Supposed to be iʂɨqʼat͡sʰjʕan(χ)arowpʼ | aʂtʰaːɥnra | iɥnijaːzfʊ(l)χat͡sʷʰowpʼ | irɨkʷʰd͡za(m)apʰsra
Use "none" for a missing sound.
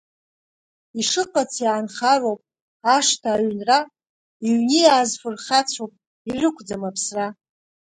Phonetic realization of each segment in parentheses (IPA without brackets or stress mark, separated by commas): χ, r, m